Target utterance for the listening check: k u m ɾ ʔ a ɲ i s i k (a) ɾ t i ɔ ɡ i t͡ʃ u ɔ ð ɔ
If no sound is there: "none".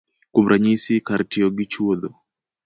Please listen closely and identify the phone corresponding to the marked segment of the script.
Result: a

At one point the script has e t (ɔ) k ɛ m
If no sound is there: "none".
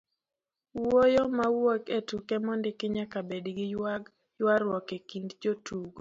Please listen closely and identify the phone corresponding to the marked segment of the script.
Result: u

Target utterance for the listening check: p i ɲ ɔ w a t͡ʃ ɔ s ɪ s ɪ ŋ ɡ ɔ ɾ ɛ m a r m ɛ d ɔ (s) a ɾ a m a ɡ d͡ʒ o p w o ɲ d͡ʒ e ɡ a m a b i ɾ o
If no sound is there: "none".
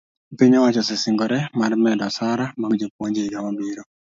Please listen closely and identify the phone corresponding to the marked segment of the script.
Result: s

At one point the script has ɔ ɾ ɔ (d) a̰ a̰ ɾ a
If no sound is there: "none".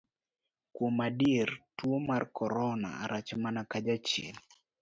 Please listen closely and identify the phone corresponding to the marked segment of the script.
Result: n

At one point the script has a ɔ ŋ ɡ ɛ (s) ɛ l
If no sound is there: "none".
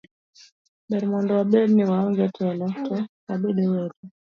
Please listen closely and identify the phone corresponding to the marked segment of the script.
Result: t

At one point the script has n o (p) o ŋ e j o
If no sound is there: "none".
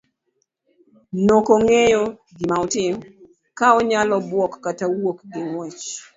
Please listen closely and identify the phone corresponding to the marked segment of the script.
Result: k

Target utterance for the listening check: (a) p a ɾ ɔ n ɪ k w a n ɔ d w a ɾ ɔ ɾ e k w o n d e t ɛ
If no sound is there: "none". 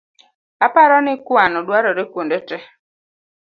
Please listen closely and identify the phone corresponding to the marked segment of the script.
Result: a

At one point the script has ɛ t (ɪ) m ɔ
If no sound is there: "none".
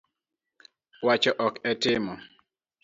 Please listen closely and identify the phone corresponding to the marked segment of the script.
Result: ɪ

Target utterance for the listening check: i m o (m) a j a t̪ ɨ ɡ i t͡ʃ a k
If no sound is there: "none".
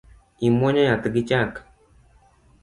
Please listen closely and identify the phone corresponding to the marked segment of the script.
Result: ɲ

